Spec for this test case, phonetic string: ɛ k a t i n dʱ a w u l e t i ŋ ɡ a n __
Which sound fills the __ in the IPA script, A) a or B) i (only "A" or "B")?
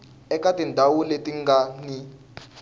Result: B